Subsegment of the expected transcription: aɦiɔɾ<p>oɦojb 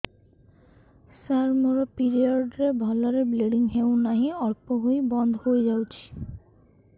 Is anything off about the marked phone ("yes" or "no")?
no